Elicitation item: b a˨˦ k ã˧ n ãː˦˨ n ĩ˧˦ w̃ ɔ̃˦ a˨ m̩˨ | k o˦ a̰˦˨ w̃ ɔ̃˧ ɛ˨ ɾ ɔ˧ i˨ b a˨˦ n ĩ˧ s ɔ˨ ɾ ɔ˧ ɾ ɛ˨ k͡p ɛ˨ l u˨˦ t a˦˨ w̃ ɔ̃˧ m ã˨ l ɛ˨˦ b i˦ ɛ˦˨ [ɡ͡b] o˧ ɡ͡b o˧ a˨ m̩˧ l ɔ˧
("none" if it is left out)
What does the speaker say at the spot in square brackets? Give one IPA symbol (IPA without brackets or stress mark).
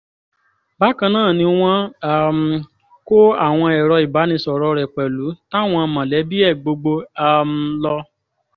ɡ͡b